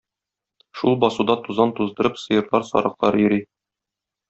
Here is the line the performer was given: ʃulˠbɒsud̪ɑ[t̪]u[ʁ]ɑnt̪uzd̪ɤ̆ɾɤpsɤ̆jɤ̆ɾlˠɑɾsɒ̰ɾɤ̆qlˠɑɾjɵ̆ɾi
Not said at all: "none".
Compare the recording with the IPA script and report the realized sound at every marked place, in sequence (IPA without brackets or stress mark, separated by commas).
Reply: t̪, z